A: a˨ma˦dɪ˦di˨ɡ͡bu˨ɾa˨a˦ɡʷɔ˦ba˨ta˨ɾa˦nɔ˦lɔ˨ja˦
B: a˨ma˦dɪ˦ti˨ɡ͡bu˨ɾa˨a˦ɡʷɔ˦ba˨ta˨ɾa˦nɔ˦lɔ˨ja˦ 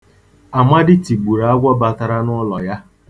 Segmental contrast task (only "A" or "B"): B